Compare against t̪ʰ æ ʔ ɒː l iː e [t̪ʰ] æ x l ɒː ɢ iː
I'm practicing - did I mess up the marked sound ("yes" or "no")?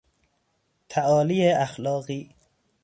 yes